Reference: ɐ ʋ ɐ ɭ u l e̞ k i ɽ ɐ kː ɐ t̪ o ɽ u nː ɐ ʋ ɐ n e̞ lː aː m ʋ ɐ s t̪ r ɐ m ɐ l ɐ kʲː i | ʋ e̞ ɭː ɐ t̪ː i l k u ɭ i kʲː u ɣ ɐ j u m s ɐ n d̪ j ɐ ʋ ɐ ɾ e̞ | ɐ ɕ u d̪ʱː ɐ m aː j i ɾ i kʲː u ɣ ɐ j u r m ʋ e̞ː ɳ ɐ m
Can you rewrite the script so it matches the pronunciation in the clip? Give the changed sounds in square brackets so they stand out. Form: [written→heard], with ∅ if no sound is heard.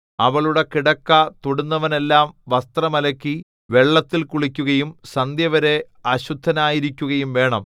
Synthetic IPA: ɐ ʋ ɐ ɭ u [l→ɽ] e̞ k i ɽ ɐ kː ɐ t̪ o ɽ u nː ɐ ʋ ɐ n e̞ lː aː m ʋ ɐ s t̪ r ɐ m ɐ l ɐ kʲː i | ʋ e̞ ɭː ɐ t̪ː i l k u ɭ i kʲː u ɣ ɐ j u m s ɐ n d̪ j ɐ ʋ ɐ ɾ e̞ | ɐ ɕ u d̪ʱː ɐ [m→n] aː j i ɾ i kʲː u ɣ ɐ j u [r→∅] m ʋ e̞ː ɳ ɐ m